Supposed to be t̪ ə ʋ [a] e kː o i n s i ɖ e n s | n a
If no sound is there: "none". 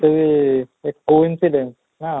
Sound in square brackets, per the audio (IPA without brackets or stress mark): i